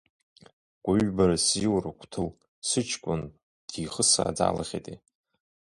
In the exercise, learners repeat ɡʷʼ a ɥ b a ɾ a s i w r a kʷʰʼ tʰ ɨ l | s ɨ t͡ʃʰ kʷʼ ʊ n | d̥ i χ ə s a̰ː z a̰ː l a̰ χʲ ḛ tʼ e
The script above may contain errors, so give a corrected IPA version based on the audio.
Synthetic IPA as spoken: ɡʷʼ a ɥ b a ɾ a s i w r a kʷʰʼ tʰ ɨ l | s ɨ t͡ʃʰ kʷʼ ʊ n | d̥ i χ ə s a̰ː d͡z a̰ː l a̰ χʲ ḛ tʼ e